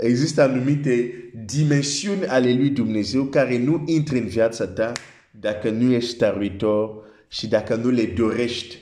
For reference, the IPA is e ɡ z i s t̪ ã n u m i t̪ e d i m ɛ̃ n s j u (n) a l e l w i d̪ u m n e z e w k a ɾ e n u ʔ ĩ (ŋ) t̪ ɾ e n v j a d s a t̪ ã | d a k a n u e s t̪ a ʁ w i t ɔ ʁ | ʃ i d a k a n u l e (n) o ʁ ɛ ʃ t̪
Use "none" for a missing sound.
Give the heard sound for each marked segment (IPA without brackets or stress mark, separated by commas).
n, n, d